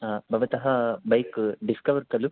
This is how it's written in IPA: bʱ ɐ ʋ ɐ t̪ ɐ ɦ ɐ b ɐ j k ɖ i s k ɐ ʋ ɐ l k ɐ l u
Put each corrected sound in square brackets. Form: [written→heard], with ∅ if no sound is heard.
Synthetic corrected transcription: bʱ ɐ ʋ ɐ t̪ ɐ ɦ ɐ b ɐ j k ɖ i s k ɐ ʋ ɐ [l→ɾ] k ɐ l u